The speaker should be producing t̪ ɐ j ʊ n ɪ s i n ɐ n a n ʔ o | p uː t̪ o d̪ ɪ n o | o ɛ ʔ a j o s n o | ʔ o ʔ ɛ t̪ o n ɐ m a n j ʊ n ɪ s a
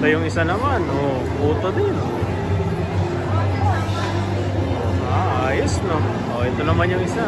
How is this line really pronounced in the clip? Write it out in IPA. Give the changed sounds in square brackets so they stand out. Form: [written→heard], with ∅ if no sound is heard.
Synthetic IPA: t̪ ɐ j ʊ [n→ŋ] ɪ s [i→a] n ɐ [n→m] a n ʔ o | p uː t̪ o d̪ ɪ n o | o [ɛ→a] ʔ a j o s n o | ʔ o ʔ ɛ t̪ o n ɐ m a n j ʊ [n→ŋ] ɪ s a

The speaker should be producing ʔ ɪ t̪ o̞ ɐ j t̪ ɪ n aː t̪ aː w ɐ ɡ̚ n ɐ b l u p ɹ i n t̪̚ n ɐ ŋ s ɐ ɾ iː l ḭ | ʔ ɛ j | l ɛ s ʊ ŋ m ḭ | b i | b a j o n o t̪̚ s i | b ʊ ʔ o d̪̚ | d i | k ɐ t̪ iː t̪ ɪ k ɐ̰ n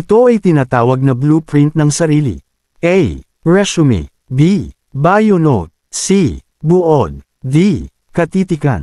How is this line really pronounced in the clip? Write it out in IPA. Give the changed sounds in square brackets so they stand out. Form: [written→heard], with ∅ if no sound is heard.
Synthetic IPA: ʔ ɪ t̪ o̞ ɐ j t̪ ɪ n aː t̪ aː w ɐ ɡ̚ n ɐ b l u p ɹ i n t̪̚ n ɐ ŋ s ɐ ɾ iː l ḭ | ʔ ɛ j | [l→ɹ] ɛ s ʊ [ŋ→∅] m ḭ | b i | b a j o n o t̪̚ s i | b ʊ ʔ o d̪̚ | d i | k ɐ t̪ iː t̪ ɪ k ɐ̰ n

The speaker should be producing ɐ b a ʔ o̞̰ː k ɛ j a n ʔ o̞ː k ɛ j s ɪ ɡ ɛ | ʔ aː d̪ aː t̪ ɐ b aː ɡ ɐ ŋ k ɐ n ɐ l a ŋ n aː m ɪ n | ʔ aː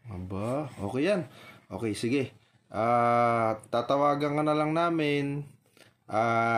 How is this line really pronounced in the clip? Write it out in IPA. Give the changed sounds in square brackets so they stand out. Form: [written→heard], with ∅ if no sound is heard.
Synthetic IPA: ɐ b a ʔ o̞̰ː k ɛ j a n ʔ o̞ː k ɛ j s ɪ ɡ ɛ | ʔ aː [d̪→t̪] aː t̪ ɐ [b→w] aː ɡ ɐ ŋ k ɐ n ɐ l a ŋ n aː m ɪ n | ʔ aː

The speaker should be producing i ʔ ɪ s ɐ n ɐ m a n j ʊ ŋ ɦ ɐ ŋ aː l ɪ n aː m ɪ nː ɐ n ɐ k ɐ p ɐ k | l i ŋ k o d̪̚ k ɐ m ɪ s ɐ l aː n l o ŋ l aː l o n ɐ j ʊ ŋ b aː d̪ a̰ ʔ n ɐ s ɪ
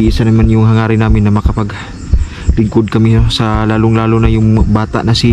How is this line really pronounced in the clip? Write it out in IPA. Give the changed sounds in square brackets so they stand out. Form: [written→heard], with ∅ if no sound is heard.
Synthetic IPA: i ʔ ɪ s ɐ n ɐ m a n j ʊ ŋ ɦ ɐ ŋ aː [l→ɾ] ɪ n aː m ɪ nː ɐ [n→m] ɐ k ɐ p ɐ [k→ɡ] | l [i→ɪ] ŋ k o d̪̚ k ɐ m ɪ s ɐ l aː [n→∅] l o ŋ l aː l o n ɐ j ʊ ŋ b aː [d̪→t̪] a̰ ʔ n ɐ s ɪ

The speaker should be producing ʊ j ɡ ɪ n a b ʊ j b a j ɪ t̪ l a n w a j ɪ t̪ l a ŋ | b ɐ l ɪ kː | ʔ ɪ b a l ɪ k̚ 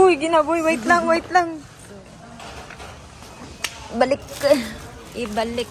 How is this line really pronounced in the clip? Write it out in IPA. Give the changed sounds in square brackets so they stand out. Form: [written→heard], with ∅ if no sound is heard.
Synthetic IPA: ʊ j ɡ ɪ n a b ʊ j [b→w] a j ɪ t̪ l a [n→ŋ] w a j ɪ t̪ l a ŋ | b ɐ l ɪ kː | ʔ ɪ b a l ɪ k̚

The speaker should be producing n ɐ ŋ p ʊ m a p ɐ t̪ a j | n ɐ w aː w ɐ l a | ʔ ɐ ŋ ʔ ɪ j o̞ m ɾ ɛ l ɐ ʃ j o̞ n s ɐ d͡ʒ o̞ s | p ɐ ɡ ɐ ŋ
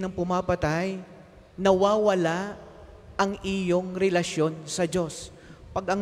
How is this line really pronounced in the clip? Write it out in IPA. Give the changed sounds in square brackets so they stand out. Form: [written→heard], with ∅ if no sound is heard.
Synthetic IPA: n ɐ ŋ p ʊ m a p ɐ t̪ a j | n ɐ w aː w ɐ l a | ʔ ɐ ŋ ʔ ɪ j o̞ [m→ŋ] ɾ ɛ l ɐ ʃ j o̞ n s ɐ d͡ʒ o̞ s | p ɐ ɡ ɐ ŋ

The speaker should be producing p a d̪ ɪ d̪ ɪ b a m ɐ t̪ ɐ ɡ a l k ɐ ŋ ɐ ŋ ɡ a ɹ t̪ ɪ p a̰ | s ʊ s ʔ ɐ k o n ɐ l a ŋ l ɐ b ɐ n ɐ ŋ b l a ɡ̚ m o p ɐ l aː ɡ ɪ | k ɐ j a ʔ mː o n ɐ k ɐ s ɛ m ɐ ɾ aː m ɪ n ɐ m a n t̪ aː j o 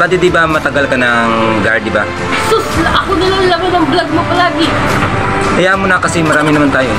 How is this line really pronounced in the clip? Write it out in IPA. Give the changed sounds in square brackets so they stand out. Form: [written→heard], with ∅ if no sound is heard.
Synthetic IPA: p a d̪ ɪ d̪ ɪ b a m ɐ t̪ ɐ ɡ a l k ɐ [ŋ→n] ɐ ŋ ɡ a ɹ [t̪→d̪] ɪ [p→b] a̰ | s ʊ s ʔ ɐ k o n ɐ l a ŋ l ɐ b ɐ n ɐ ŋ b l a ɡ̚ m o p ɐ l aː ɡ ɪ | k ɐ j a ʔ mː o n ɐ k ɐ s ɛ m ɐ ɾ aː m ɪ n ɐ m a n t̪ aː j o

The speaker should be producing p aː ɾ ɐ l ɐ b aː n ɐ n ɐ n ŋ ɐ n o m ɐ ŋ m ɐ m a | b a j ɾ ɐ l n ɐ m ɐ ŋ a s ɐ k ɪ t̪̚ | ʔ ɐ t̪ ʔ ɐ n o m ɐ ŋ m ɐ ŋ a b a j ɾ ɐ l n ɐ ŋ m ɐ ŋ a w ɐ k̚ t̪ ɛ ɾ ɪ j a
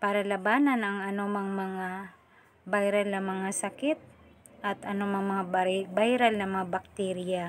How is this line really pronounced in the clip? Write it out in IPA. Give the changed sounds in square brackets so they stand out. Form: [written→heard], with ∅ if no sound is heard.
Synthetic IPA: p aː ɾ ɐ l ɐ b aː n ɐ n ɐ [n→∅] ŋ ɐ n o m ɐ ŋ m ɐ [m→ŋ] a | b a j ɾ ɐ l n ɐ m ɐ ŋ a s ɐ k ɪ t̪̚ | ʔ ɐ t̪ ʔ ɐ n o m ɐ ŋ m ɐ ŋ a b a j ɾ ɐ l n ɐ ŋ m ɐ ŋ a [w→b] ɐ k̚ t̪ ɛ ɾ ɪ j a

